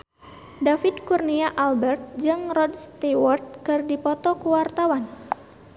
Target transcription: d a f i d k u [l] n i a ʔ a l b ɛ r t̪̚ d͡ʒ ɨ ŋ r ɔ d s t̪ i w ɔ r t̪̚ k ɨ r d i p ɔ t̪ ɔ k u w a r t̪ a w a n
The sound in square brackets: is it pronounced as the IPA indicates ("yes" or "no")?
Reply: no